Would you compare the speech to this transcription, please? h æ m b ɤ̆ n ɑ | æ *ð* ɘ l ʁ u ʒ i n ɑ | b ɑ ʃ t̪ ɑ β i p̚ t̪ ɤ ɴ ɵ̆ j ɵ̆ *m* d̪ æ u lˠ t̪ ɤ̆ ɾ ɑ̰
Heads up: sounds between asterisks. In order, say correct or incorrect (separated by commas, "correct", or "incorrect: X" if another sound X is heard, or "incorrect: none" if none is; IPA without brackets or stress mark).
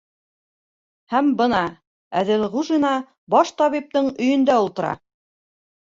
correct, incorrect: n